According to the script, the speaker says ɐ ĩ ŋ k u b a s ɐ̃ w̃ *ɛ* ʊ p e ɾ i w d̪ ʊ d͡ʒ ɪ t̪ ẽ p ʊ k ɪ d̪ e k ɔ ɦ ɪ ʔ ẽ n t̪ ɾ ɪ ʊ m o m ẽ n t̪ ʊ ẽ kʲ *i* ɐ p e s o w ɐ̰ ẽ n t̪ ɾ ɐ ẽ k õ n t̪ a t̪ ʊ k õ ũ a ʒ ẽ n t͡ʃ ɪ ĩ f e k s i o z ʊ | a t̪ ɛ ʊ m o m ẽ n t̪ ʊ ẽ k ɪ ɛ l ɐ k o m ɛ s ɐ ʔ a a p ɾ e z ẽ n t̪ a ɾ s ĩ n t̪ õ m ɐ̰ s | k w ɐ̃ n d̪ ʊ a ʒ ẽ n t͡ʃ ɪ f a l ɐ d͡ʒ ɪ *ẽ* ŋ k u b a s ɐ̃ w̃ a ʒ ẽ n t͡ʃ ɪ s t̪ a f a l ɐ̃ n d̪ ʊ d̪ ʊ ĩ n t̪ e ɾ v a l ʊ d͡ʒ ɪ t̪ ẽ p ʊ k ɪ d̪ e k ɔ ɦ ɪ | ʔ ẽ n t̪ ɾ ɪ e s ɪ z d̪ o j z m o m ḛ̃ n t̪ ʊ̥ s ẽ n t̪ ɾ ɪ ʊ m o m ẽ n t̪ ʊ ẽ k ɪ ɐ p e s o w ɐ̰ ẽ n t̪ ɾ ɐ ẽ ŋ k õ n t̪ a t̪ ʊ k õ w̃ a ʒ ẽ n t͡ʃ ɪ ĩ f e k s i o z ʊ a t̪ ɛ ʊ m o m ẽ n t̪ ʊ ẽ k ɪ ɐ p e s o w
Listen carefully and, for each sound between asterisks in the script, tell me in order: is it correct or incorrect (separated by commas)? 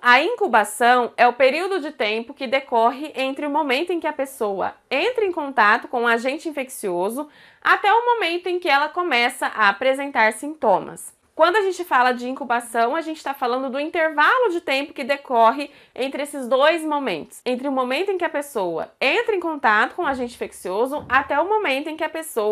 correct, incorrect, incorrect